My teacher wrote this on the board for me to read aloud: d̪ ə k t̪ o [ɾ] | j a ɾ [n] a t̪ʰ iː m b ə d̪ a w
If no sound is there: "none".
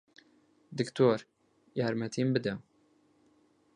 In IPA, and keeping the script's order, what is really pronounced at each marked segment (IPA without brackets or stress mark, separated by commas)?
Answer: ɾ, m